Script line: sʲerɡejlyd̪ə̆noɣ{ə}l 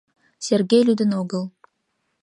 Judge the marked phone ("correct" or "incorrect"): correct